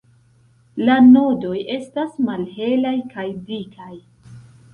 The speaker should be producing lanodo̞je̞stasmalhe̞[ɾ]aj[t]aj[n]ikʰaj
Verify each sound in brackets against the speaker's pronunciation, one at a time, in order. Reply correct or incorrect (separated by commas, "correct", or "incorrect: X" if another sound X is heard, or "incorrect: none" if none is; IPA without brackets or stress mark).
incorrect: l, incorrect: k, incorrect: d